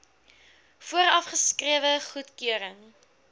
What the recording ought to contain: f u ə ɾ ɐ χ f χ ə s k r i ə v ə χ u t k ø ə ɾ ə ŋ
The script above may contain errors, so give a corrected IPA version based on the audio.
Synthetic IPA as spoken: f u ə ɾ ɐ f χ ə s k r i ə v ə χ u t k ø ə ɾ ə ŋ